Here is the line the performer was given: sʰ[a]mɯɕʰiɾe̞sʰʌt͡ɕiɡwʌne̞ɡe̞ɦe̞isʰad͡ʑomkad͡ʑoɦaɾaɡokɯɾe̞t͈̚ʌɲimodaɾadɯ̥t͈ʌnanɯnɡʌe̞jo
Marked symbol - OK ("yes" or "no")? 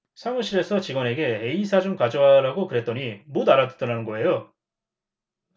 yes